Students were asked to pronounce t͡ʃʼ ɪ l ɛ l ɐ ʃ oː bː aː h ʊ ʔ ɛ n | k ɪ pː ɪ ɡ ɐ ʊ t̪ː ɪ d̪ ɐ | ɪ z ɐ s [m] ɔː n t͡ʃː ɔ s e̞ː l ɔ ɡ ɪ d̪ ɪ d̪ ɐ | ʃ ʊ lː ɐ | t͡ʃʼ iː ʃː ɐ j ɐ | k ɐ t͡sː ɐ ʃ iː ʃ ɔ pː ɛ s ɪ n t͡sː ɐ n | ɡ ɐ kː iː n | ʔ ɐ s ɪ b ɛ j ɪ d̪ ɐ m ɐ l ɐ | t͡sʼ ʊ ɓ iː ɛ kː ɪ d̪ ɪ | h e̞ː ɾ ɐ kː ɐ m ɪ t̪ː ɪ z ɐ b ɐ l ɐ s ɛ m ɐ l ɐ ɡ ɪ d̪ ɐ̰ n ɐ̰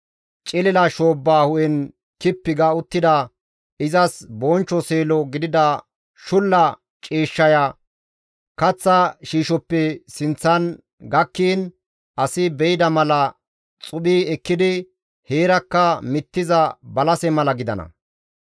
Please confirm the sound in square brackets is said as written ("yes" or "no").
no